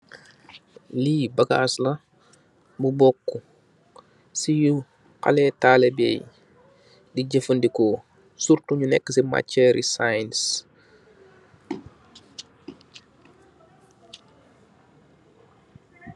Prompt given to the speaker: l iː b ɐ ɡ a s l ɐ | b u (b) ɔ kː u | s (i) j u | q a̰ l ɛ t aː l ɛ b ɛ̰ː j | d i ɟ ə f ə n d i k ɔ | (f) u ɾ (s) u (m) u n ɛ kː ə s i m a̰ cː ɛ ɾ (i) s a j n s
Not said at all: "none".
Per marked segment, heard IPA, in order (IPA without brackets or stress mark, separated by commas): b, i, s, t, ɲ, i